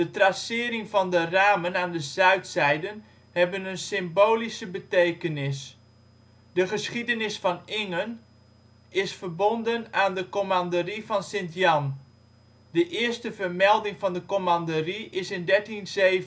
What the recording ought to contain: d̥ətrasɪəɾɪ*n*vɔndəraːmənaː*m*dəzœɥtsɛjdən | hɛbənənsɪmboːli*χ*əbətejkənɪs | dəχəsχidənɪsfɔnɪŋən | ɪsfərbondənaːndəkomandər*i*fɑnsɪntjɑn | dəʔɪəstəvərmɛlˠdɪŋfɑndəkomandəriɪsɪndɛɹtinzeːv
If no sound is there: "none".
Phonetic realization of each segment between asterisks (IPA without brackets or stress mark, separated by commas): ŋ, n, s, i